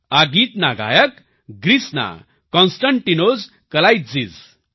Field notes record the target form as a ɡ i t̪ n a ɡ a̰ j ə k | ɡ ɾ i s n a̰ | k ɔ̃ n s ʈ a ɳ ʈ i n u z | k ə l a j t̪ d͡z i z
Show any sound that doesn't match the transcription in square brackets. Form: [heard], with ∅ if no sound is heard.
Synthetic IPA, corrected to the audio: a ɡ i t̪ n a ɡ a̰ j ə k | ɡ ɾ i s n a̰ | k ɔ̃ n s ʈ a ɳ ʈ i n [o] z | k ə l a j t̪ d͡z i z